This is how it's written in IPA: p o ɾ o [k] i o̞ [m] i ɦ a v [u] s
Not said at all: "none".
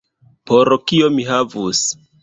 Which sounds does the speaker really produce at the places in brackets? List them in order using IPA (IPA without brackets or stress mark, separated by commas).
k, m, u